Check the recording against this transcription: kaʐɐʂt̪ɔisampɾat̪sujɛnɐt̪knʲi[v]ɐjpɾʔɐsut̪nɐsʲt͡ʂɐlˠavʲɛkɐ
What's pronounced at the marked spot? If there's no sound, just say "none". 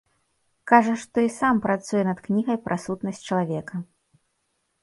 ɣ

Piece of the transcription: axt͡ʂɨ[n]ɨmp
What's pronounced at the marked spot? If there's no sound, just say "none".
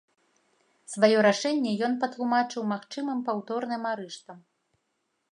m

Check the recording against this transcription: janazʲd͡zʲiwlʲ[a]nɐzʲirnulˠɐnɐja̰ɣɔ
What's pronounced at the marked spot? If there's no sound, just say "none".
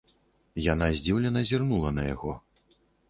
ɛ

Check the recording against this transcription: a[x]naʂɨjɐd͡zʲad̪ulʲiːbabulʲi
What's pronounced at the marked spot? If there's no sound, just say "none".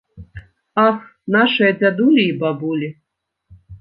x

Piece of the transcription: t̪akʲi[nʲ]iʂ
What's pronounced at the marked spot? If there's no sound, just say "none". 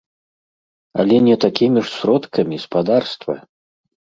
mʲ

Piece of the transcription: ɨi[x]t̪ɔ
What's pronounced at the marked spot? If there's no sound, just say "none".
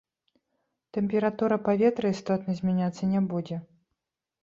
s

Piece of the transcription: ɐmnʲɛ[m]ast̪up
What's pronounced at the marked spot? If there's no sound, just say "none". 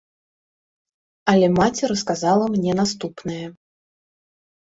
n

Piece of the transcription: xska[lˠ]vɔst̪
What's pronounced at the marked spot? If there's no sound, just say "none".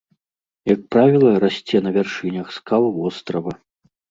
lˠ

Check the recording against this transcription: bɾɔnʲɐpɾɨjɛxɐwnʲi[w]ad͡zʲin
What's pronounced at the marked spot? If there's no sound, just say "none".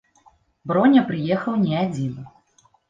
none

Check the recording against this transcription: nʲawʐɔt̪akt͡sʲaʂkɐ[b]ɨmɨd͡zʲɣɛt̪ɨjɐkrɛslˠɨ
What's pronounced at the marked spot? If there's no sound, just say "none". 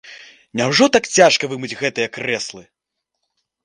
v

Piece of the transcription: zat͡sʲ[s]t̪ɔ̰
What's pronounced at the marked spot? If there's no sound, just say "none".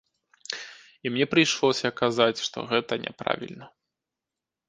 ʂ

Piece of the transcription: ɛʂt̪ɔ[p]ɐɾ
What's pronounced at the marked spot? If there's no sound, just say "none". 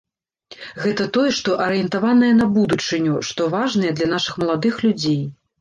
ʔ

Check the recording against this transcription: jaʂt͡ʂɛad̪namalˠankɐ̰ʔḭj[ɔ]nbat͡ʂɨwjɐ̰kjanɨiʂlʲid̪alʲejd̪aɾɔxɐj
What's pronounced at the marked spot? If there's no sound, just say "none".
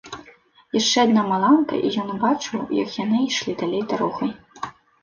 ɔ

